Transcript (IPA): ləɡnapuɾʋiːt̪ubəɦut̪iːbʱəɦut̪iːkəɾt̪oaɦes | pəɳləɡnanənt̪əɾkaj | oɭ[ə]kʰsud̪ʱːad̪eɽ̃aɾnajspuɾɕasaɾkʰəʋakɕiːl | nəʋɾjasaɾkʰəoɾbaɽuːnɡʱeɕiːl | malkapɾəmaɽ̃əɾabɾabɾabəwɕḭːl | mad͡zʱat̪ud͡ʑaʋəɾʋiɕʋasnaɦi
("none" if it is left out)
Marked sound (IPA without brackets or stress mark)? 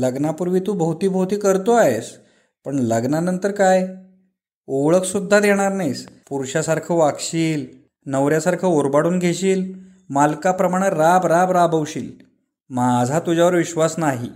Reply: ə